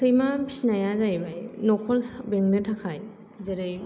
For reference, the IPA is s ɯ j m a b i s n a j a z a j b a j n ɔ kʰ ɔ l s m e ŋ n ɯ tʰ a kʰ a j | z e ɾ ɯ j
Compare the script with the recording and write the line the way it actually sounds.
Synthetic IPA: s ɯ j m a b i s n a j a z a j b a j n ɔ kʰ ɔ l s b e ŋ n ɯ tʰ a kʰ a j | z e ɾ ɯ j